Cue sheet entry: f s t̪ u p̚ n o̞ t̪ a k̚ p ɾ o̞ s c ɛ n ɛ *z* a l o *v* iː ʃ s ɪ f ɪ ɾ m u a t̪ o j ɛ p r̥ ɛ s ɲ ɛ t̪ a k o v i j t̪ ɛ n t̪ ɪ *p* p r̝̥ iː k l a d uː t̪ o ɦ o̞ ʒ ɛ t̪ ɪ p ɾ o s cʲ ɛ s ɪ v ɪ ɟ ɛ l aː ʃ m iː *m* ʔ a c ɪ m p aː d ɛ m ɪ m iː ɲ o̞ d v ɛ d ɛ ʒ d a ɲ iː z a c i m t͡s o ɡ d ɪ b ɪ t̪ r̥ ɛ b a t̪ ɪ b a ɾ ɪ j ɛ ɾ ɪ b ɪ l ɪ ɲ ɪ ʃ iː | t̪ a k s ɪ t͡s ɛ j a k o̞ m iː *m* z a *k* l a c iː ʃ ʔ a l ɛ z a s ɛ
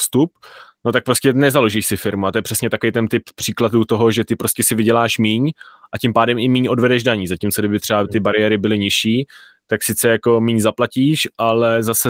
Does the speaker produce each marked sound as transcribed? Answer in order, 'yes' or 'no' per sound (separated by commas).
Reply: yes, no, yes, no, no, no